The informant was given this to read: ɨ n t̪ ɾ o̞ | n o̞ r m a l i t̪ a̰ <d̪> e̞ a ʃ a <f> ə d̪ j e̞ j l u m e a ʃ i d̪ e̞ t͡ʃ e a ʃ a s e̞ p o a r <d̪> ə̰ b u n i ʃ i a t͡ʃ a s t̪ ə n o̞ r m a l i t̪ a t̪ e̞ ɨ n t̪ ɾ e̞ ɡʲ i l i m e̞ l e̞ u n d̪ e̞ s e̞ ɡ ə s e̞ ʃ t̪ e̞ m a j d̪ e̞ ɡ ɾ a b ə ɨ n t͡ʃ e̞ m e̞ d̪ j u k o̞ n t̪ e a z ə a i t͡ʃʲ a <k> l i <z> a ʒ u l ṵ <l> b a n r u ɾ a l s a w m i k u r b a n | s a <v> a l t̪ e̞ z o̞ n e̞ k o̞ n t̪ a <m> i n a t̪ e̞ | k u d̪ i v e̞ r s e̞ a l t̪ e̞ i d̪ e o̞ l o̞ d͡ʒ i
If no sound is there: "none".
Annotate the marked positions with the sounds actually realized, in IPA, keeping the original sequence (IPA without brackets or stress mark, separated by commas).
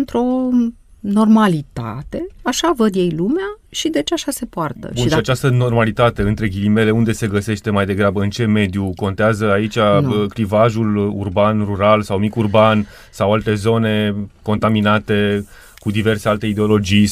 t̪, v, t̪, k, v, r, w, m